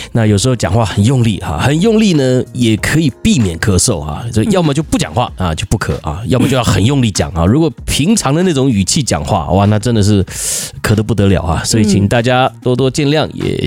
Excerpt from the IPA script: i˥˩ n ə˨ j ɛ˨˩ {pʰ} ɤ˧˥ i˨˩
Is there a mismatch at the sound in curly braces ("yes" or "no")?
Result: yes